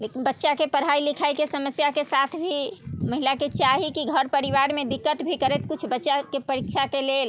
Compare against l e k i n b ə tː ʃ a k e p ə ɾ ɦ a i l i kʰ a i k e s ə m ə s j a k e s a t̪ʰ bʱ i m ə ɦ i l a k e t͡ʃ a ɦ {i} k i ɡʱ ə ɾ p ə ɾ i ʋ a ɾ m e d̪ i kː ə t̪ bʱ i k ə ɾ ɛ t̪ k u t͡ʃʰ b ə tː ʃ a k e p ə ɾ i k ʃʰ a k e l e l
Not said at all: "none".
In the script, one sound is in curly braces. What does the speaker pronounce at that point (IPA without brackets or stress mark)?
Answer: i